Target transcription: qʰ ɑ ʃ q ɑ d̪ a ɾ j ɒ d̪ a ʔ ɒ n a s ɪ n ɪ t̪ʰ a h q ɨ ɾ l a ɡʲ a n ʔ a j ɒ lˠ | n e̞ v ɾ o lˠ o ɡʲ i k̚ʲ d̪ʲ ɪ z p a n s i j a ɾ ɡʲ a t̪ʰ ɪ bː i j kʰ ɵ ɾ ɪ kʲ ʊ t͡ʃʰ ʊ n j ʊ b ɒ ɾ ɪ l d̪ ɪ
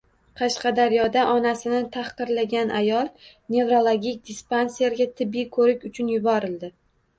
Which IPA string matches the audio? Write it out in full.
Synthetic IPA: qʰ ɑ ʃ q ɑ d̪ a ɾ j ɒ d̪ a ʔ ɒ n a s ɪ n ɪ t̪ʰ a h q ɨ ɾ l a ɡʲ a n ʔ a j ɒ lˠ | n e̞ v ɾ o lˠ o ɡʲ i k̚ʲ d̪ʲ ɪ s p a n s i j a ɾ ɡʲ a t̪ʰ ɪ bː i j kʰ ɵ ɾ ɪ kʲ ʊ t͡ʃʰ ʊ n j ʊ b ɒ ɾ ɪ l d̪ ɪ